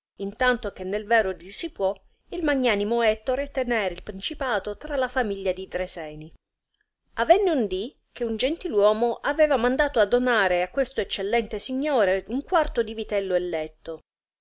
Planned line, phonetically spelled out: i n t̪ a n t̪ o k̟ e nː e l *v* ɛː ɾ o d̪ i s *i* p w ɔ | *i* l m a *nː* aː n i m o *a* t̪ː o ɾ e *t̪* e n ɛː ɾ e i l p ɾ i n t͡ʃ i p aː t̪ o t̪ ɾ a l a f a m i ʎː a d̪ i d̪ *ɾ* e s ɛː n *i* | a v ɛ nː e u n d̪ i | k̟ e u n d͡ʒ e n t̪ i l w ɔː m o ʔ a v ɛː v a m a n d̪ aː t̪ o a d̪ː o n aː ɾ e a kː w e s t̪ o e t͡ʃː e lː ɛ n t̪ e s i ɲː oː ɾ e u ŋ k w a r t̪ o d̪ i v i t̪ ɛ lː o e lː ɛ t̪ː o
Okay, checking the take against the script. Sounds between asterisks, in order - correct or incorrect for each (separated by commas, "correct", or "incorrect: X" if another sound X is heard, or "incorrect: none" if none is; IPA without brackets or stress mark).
correct, correct, correct, incorrect: ɲː, incorrect: ɛ, correct, correct, correct